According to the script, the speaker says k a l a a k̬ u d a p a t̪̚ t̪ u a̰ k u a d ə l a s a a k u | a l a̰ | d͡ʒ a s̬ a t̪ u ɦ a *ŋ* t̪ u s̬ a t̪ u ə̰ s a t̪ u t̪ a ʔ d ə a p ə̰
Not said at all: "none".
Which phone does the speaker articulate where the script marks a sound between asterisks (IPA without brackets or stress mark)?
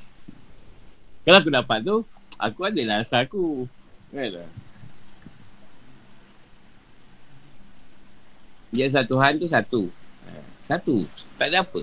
n